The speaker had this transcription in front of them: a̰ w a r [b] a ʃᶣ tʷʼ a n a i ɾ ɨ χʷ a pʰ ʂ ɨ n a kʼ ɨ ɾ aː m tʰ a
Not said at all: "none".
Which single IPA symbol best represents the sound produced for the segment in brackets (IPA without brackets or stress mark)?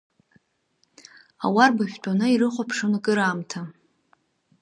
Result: b